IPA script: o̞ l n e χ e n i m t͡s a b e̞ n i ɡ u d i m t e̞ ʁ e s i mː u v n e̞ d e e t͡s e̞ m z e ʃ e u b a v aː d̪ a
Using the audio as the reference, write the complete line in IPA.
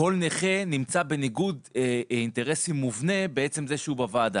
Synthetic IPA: o̞ l n e χ e n i m t͡s a b e̞ n i ɡ u d i n t e̞ ʁ e s i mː u v n e̞ b e e t͡s e̞ m z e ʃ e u b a v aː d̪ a